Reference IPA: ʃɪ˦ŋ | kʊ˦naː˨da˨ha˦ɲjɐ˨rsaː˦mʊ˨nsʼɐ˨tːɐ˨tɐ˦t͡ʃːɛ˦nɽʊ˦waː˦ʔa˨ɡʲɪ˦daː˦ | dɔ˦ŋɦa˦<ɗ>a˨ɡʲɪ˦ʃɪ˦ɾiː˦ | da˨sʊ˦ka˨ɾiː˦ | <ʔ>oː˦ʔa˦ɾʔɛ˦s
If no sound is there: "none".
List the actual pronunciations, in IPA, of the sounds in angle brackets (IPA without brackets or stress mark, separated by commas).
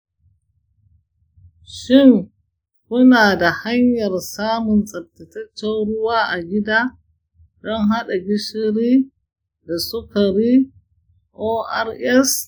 ɗ, ʔ